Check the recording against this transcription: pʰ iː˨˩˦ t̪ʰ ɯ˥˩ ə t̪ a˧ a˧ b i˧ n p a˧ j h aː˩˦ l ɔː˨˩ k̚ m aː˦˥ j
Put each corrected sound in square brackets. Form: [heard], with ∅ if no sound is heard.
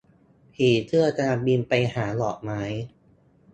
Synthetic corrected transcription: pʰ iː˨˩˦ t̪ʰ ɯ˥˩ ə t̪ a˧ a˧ b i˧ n p a˧ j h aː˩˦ l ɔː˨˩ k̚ m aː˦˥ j